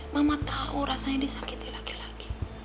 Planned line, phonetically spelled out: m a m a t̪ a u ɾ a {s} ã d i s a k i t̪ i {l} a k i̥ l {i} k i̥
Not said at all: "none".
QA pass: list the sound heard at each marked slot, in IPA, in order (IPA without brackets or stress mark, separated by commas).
s, l, a